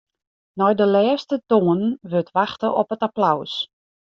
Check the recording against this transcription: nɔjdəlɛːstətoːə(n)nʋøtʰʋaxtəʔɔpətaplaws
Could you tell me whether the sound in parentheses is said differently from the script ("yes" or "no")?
no